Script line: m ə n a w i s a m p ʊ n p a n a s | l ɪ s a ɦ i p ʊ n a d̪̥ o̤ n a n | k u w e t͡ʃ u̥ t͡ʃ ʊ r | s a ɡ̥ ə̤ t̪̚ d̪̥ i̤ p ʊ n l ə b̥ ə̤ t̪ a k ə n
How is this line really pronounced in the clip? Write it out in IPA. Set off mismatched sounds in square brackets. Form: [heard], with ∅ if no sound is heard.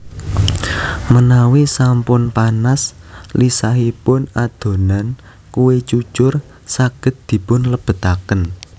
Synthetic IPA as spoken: m ə n a w i s a m p ʊ n p a n a s | l [i] s a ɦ i p ʊ n a d̪̥ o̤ n a n | k u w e t͡ʃ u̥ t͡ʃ ʊ r | s a ɡ̥ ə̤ t̪̚ d̪̥ i̤ p ʊ n l ə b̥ ə̤ t̪ a k ə n